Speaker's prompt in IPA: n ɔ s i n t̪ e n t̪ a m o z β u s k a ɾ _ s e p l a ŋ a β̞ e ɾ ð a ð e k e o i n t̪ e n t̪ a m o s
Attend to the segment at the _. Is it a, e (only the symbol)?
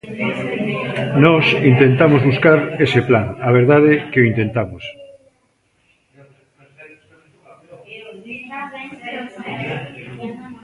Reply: e